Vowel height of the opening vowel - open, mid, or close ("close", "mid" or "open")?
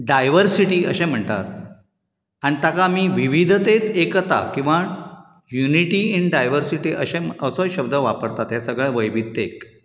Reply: open